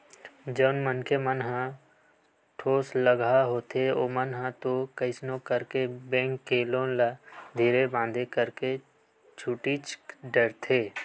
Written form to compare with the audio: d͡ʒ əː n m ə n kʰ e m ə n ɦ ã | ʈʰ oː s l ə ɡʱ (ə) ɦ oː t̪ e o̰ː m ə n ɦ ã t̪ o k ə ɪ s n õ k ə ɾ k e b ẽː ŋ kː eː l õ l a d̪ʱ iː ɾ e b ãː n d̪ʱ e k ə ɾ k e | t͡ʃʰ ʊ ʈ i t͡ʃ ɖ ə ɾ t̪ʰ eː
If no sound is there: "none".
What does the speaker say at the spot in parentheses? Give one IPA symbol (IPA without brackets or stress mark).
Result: a